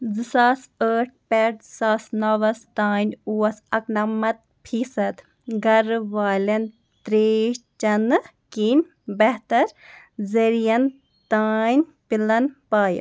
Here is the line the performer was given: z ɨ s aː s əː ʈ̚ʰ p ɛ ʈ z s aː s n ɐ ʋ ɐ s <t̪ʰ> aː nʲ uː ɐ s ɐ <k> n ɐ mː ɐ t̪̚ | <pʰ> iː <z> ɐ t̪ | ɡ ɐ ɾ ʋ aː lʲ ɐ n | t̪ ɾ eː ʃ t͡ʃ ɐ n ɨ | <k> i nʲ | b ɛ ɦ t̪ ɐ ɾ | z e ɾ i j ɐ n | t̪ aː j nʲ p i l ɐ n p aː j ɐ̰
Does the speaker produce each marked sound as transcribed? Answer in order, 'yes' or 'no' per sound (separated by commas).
no, yes, yes, no, yes